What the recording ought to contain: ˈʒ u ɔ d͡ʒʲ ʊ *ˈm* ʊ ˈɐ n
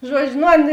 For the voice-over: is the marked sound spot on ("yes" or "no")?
no